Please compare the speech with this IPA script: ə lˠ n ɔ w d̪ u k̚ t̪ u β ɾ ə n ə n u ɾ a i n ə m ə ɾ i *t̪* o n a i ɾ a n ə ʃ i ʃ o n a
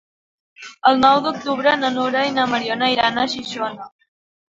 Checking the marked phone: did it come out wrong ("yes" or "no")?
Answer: yes